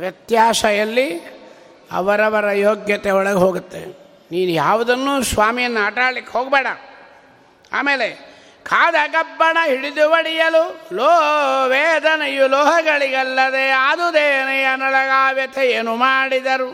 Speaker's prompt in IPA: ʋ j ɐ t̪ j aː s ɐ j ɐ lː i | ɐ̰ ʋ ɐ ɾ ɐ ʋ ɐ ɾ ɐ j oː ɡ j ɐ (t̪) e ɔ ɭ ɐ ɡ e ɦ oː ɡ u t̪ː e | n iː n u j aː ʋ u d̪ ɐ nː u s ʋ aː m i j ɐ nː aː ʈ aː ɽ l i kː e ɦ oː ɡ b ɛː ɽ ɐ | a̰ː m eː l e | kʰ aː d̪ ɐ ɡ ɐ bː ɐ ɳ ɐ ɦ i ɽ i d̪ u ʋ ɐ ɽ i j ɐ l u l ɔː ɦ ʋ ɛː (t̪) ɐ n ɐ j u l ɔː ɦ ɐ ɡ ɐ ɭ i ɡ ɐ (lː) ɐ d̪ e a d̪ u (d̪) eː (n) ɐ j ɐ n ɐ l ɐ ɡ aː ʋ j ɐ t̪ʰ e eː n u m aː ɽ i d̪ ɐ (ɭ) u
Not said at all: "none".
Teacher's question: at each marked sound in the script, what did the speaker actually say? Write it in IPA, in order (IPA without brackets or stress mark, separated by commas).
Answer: t̪, d̪, lː, d̪, n, ɾ